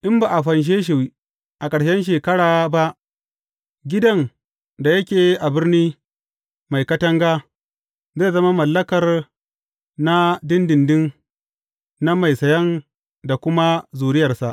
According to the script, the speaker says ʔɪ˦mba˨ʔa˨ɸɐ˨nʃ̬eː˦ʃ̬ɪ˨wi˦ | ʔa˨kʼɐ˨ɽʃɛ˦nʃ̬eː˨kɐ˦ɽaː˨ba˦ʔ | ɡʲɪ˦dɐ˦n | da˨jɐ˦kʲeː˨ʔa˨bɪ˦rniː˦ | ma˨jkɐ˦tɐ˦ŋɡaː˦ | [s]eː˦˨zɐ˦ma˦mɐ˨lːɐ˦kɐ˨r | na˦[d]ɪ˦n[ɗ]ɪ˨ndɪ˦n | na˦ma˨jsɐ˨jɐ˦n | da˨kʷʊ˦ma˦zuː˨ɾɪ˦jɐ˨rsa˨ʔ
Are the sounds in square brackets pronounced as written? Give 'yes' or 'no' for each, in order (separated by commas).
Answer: no, yes, no